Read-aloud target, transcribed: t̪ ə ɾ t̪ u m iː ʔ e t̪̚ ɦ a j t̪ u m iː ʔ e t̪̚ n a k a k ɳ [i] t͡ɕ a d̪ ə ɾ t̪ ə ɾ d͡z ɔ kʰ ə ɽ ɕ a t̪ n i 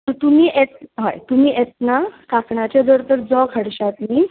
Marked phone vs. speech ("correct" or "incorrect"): incorrect